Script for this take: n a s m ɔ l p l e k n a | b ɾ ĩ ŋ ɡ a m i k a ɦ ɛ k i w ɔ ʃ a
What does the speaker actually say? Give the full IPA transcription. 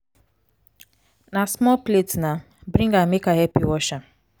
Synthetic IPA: n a s m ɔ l p l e t n a | b ɾ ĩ ŋ ɡ a m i k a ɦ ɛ p i w ɔ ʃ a